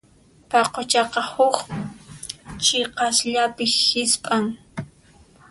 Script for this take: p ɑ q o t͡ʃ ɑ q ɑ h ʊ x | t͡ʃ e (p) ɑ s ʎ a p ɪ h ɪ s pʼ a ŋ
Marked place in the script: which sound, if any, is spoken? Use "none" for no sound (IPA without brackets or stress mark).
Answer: q